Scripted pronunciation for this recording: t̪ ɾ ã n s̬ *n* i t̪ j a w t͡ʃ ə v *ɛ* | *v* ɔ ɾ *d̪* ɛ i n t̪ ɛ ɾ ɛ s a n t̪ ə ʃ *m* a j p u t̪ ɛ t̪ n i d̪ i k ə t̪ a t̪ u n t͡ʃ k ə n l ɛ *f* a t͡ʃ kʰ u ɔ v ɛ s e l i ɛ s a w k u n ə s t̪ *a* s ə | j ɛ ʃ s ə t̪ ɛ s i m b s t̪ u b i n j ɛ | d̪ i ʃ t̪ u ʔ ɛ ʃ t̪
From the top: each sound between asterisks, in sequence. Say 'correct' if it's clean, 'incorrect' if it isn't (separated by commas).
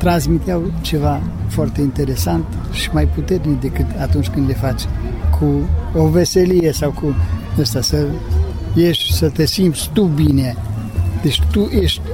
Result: incorrect, incorrect, incorrect, incorrect, correct, correct, correct